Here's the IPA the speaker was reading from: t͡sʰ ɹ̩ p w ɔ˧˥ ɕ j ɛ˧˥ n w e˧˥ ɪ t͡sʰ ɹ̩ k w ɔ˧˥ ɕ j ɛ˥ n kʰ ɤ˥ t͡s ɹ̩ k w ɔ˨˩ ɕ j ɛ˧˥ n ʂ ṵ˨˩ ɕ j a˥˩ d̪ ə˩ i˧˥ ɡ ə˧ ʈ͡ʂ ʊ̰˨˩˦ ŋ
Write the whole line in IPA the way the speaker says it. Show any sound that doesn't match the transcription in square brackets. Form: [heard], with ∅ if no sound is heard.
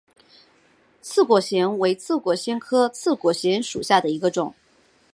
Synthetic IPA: t͡sʰ ɹ̩ [k] w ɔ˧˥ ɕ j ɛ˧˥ n w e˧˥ ɪ t͡sʰ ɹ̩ k w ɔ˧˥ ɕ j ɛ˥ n kʰ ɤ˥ [t͡sʰ] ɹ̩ k w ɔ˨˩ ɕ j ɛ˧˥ n ʂ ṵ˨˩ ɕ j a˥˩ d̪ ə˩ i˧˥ ɡ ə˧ ʈ͡ʂ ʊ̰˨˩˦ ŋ